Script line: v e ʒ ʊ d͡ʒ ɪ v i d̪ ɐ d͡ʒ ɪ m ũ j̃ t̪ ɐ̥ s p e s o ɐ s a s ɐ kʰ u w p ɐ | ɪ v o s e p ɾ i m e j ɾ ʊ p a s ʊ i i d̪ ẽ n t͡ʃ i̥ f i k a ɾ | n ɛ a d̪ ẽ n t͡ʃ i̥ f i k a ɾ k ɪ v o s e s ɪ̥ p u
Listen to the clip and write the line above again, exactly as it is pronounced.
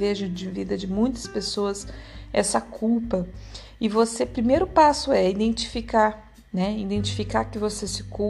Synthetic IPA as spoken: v e ʒ ʊ d͡ʒ ɪ v i d̪ ɐ d͡ʒ ɪ m ũ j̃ t̪ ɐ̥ s p e s o ɐ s ɛ s ɐ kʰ u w p ɐ | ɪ v o s e p ɾ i m e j ɾ ʊ p a s ʊ ɛ i d̪ ẽ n t͡ʃ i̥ f i k a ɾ | n ɛ i d̪ ẽ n t͡ʃ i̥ f i k a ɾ k ɪ v o s e s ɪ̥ k u